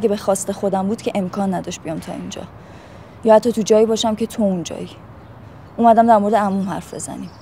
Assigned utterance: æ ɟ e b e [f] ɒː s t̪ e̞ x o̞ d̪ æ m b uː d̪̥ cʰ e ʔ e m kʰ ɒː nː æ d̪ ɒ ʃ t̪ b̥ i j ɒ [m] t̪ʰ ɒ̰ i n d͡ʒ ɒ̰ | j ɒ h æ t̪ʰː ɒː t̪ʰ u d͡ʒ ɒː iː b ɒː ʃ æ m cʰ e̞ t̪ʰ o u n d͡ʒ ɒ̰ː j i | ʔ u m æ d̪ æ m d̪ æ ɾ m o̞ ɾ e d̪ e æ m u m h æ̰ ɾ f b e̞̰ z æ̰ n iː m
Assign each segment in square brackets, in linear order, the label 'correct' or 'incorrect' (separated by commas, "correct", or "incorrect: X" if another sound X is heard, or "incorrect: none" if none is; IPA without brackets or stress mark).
incorrect: x, correct